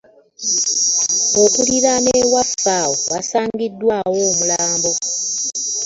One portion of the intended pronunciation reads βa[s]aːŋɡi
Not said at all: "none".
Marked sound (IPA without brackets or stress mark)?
s